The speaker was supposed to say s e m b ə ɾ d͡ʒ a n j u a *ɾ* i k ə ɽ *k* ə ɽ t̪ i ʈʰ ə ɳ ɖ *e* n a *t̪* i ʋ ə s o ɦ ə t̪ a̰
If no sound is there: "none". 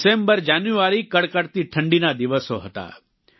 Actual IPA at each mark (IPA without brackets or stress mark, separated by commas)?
ɾ, k, i, d̪